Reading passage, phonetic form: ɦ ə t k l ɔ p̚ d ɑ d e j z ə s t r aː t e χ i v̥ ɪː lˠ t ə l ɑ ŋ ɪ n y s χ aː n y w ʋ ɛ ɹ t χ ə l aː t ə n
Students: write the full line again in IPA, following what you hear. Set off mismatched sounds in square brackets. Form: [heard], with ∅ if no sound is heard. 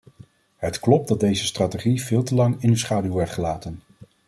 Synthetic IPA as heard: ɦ ə t k l ɔ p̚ d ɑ d e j z ə s t r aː t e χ i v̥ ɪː lˠ t ə l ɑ ŋ ɪ n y s χ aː [d] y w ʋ ɛ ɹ t χ ə l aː t ə n

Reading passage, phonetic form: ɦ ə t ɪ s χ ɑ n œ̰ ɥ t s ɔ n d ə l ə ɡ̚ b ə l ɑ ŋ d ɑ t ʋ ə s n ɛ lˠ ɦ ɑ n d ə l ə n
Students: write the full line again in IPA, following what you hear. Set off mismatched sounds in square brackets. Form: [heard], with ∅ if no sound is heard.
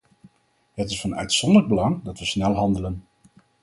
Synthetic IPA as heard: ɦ ə t ɪ s [f] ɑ n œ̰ ɥ t s ɔ n d ə l ə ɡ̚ b ə l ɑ ŋ d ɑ t ʋ ə s n ɛ lˠ ɦ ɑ n d ə l ə n

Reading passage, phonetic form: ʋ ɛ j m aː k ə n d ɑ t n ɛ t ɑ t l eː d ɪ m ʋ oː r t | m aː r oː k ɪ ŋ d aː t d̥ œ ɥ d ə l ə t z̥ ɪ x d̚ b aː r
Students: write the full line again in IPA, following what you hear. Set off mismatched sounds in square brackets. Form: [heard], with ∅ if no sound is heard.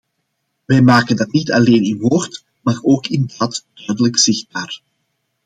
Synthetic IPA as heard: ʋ ɛ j m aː k ə n d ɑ t n [i] t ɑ [∅] l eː [n] ɪ [n] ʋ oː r t | m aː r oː k ɪ [n] d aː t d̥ œ ɥ d ə l ə [k] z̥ ɪ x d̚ b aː r

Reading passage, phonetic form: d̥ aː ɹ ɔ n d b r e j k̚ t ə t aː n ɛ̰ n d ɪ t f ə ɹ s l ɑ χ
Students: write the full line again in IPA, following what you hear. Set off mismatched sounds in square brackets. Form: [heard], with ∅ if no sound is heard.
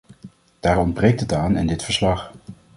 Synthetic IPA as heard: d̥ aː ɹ ɔ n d b r e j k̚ t ə t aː n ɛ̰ n d ɪ t f ə ɹ s l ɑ χ

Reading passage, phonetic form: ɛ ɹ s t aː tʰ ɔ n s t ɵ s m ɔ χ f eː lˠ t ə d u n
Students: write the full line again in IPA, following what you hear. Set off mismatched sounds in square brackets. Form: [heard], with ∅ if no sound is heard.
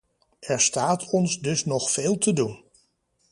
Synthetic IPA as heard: ɛ ɹ s t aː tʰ ɔ n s [d] ɵ s [n] ɔ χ f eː lˠ t ə d u n

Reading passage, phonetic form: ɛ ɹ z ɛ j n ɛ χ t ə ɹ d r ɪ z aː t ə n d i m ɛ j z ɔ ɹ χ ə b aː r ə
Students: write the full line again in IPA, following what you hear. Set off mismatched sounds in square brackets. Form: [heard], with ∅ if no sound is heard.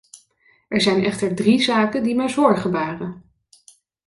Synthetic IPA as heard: ɛ ɹ z ɛ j n ɛ χ t ə ɹ d r [i] z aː [k] ə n d i m ɛ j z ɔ ɹ χ ə b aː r ə

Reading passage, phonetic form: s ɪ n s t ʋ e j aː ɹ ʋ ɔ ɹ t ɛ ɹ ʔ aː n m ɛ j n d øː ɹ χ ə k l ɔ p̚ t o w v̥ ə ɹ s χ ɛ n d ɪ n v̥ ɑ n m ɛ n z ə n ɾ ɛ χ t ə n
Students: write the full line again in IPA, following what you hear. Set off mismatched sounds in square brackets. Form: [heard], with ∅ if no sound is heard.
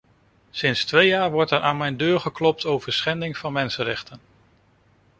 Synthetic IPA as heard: s ɪ n s t ʋ e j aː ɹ ʋ ɔ ɹ t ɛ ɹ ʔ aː n m ɛ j n d øː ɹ χ ə k l ɔ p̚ t o w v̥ ə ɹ s χ ɛ n d ɪ [ŋ] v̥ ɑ n m ɛ n [s] ə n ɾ ɛ χ t ə n

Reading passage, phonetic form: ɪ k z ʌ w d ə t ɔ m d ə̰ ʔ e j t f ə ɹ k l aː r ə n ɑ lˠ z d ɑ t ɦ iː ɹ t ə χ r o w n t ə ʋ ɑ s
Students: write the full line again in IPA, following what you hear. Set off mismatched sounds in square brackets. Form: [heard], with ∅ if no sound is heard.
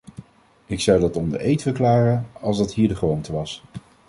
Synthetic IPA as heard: ɪ k [s] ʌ w d [ɑ] t ɔ m d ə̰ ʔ e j t f ə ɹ k l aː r ə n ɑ lˠ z d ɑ t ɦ iː ɹ [d] ə χ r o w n t ə ʋ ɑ s

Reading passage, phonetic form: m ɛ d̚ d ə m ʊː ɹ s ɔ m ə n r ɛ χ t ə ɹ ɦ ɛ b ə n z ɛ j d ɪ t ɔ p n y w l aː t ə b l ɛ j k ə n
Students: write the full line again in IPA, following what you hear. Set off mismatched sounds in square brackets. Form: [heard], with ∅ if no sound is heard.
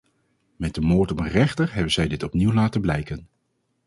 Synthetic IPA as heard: m ɛ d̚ d ə m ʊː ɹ [t] ɔ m ə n r ɛ χ t ə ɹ ɦ ɛ b ə n z ɛ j d ɪ t ɔ p n [i] w l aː t ə b l ɛ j k ə n

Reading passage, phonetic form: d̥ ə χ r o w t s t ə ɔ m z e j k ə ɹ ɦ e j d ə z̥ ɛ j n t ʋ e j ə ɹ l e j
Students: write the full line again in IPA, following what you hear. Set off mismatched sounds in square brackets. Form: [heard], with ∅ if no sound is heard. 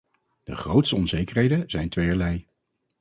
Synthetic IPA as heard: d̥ ə χ r o w t s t ə ɔ [n] z e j k ə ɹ ɦ e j d ə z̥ ɛ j n t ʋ e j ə ɹ l [ɛ] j

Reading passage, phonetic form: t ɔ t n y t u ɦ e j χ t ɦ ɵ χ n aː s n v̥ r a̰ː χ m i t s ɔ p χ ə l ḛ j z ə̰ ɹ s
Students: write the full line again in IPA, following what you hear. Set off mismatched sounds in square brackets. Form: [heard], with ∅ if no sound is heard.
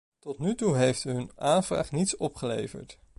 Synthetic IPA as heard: t ɔ t n y t u ɦ e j [f] t ɦ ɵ [∅] n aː [∅] n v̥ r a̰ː χ [n] i t s ɔ p χ ə l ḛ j [v] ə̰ ɹ [t]

